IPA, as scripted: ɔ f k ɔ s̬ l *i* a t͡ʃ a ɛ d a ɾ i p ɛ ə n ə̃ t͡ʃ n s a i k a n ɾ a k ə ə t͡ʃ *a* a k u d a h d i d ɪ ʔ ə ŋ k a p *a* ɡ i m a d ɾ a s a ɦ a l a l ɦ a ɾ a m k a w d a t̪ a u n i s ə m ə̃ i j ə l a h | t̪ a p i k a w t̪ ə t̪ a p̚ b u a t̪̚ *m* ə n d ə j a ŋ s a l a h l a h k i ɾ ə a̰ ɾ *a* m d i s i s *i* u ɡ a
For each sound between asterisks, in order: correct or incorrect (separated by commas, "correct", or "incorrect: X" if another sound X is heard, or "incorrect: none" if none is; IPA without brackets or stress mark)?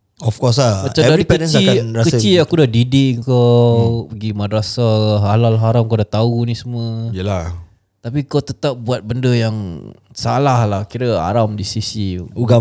incorrect: a, incorrect: i, incorrect: ə, incorrect: b, correct, correct